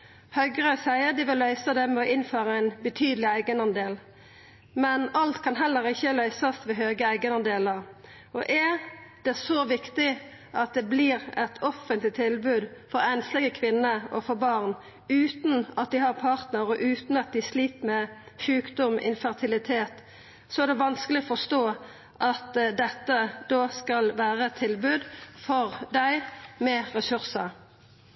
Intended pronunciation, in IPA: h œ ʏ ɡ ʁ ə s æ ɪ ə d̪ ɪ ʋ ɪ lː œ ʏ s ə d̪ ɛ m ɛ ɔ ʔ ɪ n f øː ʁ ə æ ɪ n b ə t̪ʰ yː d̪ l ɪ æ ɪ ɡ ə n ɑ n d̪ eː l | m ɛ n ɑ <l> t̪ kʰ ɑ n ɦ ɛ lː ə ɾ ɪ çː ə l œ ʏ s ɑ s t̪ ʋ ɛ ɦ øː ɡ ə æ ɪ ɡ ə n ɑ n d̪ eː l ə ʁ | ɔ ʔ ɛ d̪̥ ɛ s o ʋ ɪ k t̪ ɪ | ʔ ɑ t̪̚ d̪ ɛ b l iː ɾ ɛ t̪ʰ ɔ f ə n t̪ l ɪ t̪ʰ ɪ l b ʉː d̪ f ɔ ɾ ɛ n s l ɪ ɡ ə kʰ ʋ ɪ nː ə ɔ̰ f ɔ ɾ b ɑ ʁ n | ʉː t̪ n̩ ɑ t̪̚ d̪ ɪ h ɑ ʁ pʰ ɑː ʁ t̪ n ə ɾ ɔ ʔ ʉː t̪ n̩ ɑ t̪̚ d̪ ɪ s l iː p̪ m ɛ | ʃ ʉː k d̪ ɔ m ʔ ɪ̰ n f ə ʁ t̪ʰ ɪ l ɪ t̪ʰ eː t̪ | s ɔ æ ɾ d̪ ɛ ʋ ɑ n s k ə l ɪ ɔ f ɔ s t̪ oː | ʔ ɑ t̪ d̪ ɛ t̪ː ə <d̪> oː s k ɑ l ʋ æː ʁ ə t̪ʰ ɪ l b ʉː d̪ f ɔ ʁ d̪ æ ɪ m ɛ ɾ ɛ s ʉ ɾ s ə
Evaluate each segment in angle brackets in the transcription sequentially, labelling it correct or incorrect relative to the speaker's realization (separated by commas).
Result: correct, correct